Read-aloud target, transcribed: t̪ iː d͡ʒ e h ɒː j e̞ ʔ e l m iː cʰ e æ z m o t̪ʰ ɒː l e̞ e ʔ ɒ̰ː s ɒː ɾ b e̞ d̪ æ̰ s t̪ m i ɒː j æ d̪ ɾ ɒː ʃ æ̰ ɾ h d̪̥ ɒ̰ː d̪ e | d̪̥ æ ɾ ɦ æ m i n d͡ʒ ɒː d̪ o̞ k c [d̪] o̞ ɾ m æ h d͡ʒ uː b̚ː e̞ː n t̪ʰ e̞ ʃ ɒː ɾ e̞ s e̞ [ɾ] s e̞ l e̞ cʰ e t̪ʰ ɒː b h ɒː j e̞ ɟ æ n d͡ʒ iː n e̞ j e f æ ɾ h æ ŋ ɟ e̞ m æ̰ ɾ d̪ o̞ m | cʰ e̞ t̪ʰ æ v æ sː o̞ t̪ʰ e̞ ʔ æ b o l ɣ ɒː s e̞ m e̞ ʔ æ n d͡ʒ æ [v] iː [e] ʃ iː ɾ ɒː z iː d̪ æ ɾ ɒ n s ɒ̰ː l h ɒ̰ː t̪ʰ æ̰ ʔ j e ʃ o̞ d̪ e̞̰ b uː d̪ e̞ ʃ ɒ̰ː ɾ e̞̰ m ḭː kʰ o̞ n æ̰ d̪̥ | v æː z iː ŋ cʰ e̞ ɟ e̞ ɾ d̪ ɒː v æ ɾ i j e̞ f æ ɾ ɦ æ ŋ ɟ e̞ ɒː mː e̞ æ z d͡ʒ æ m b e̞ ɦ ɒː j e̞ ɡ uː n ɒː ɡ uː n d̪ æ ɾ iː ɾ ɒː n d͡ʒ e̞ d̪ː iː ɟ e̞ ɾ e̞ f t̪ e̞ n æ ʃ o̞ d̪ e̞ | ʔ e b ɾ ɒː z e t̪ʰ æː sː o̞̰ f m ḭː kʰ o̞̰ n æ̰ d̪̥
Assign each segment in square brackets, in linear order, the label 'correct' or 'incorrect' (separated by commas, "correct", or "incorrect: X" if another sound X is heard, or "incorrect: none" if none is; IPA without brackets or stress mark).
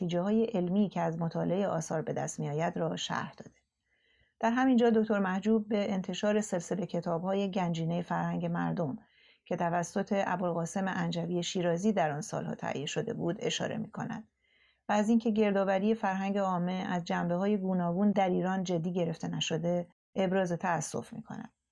incorrect: t̪, incorrect: l, correct, correct